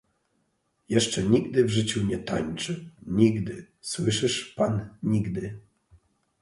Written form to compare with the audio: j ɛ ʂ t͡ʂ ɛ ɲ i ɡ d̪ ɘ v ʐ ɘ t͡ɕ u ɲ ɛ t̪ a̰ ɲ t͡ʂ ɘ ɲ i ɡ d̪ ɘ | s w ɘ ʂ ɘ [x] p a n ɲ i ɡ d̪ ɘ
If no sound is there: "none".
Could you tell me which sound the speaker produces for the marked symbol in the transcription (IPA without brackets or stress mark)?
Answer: ʂ